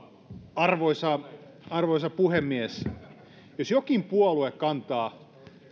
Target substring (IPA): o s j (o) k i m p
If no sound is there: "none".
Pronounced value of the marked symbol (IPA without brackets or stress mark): o